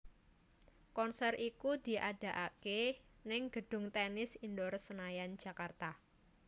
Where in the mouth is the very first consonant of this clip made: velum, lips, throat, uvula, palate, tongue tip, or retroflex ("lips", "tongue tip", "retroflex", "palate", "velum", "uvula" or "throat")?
velum